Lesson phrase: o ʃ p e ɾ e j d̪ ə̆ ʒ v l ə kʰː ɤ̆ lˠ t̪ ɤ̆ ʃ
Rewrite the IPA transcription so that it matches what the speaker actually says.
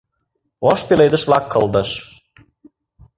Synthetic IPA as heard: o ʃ p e l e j d̪ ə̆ ʃ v l ɑ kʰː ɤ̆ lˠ d̪ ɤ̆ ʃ